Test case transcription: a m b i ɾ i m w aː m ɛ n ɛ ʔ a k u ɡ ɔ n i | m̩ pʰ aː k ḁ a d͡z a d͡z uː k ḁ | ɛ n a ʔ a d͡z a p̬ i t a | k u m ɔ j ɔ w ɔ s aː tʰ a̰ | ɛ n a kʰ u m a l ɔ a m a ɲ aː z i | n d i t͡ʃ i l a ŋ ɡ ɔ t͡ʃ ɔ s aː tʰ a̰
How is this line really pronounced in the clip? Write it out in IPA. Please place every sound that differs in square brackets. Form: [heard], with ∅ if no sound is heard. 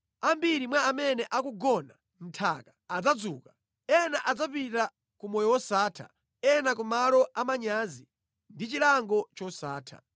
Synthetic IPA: a m b i ɾ i m w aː m ɛ n ɛ ʔ a k u ɡ ɔ n [a] | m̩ [tʰ] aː k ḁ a d͡z a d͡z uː k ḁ | ɛ n a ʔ a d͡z a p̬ i t a | k u m ɔ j ɔ w ɔ s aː tʰ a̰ | ɛ n a [k] u m a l ɔ a m a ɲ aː z i | n d i t͡ʃ i l a ŋ ɡ ɔ t͡ʃ ɔ s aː tʰ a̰

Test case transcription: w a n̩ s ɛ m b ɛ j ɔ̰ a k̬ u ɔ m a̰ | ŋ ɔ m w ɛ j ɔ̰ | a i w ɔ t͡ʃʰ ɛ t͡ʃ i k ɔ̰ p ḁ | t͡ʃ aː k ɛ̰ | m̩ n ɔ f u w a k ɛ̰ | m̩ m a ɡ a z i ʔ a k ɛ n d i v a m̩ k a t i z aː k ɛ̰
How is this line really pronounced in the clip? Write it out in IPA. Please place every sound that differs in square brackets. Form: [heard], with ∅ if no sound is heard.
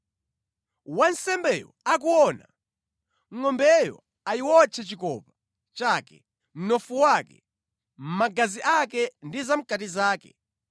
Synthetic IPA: w a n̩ s ɛ m b ɛ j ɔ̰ a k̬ u ɔ [n] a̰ | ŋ ɔ m [b] ɛ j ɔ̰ | a i w ɔ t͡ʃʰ ɛ t͡ʃ i k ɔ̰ p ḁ | t͡ʃ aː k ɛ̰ | m̩ n ɔ f u w a k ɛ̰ | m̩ m a ɡ a z i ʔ a k ɛ n d i [z] a m̩ k a t i z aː k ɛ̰

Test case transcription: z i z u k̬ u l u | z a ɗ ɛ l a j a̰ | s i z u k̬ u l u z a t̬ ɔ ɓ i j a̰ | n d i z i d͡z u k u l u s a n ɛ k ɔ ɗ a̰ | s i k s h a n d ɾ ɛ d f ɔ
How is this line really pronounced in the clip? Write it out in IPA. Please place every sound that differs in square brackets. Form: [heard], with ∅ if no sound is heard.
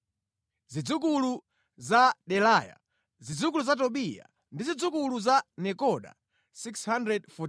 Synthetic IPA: z i [d͡z] u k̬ u l u | z a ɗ ɛ l a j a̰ | [z] i [d͡z] u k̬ u l u z a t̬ ɔ ɓ i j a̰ | n d i z i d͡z u k u l u [z] a n ɛ k ɔ ɗ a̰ | s i k s h a n d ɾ ɛ d f ɔ

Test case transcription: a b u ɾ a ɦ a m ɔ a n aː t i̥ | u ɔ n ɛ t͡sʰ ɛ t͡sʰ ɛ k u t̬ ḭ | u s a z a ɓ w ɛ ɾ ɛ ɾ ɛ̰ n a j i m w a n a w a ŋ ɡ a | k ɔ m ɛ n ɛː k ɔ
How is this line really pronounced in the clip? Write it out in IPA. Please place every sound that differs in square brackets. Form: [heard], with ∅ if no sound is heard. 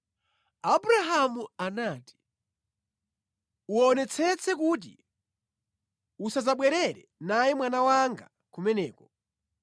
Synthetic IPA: a b u ɾ a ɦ a m [u] a n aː t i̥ | u ɔ n ɛ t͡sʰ ɛ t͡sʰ ɛ k u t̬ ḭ | u s a z a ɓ w ɛ ɾ ɛ ɾ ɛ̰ n a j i m w a n a w a ŋ ɡ a | k [u] m ɛ n ɛː k ɔ

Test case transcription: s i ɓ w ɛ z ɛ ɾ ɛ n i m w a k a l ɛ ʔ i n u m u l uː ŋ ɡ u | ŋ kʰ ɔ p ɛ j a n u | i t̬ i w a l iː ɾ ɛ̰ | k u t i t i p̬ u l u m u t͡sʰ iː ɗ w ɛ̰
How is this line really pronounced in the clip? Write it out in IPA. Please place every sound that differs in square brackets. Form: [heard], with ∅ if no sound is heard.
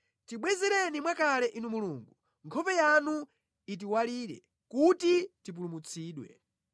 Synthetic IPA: [t] i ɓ w ɛ z ɛ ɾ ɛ n i m w a k a l ɛ ʔ i n u m u l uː ŋ ɡ u | ŋ kʰ ɔ p ɛ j a n u | i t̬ i w a l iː ɾ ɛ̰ | k u t i t i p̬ u l u m u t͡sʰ iː ɗ w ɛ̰

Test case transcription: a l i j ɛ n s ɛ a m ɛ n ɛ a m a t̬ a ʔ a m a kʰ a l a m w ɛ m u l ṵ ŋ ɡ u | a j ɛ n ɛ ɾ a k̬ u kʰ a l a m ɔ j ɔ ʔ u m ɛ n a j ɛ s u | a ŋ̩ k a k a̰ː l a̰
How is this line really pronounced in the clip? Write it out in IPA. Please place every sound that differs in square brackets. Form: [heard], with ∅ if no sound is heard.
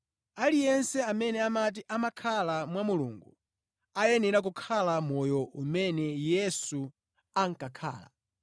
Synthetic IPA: a l i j ɛ n s ɛ a m ɛ n ɛ a m a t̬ [i] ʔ a m a kʰ a l a m w [a] m u l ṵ ŋ ɡ u | a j ɛ n ɛ ɾ a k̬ u kʰ a l a m ɔ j ɔ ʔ u m ɛ n [ɛ] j ɛ s u | a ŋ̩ k a [kʰ] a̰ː l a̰

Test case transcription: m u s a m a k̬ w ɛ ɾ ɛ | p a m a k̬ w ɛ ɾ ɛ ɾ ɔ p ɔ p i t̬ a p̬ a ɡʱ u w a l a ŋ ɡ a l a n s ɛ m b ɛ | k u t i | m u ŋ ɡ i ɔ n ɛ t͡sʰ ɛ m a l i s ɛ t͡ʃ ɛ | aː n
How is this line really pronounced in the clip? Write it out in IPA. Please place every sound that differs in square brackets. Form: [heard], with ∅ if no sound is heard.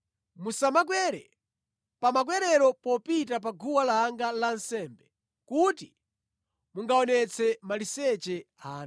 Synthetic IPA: m u s a m a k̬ w ɛ ɾ ɛ | p a m a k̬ w ɛ ɾ ɛ ɾ ɔ p ɔ p i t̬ a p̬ a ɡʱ u w a l a ŋ ɡ a l a n s ɛ m b ɛ | k u t i | m u ŋ ɡ [a] ɔ n ɛ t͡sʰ ɛ m a l i s ɛ t͡ʃ ɛ | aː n

